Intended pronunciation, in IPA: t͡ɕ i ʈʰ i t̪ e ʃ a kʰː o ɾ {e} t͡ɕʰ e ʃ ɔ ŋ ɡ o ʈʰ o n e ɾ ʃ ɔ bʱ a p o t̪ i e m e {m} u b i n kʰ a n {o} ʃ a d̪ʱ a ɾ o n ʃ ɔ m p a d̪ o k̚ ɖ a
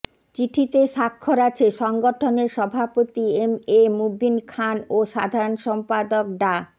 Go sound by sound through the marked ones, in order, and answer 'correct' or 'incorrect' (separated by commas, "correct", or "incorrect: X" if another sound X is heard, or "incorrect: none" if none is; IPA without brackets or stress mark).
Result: incorrect: a, correct, correct